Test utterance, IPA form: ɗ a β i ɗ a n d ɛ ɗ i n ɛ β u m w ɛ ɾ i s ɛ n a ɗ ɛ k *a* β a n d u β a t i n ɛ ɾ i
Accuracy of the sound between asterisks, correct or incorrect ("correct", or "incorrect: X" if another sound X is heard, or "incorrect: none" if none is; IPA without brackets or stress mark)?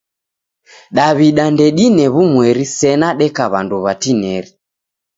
correct